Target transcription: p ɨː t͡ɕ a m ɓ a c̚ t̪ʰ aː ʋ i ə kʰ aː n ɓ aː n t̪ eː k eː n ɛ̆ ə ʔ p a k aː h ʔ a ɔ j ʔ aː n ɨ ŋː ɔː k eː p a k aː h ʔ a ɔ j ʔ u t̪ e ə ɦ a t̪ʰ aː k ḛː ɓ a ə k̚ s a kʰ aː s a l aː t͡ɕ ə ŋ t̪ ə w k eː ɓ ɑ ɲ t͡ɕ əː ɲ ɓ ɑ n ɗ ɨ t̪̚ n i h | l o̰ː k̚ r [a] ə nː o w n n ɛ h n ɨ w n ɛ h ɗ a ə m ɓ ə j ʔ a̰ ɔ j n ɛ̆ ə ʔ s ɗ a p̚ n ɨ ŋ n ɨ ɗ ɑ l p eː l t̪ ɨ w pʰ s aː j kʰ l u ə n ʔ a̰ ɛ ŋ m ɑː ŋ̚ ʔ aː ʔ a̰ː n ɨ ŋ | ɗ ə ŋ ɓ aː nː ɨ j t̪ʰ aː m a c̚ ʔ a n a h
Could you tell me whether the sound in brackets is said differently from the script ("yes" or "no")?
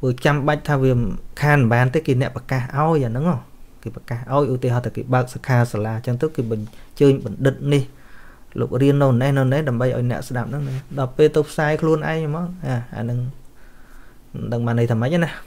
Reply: yes